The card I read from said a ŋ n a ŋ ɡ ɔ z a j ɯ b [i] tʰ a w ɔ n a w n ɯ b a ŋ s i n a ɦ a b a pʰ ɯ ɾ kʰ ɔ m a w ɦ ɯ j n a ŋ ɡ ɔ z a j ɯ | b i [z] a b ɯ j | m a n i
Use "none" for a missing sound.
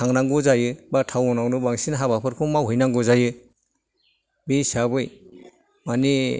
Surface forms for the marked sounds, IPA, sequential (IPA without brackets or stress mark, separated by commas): a, s